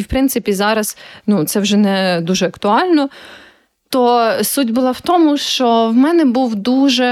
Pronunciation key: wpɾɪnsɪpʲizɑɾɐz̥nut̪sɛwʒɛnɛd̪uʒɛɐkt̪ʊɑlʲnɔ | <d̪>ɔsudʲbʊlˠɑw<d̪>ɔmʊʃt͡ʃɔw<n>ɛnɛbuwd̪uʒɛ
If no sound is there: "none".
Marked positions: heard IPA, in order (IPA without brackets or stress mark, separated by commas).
t̪, t̪, m